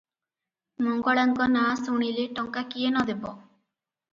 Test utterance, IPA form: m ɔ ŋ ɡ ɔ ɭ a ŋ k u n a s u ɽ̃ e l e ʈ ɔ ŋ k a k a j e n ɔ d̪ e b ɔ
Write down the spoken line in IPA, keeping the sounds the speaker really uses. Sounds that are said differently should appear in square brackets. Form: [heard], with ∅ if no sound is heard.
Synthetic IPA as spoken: m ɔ ŋ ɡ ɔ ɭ a ŋ k [ɔ] n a s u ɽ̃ [i] l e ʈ ɔ ŋ k a k [i] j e n ɔ d̪ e b ɔ